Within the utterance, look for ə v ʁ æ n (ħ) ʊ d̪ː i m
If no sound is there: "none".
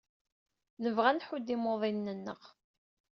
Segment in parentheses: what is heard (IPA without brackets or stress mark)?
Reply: ħ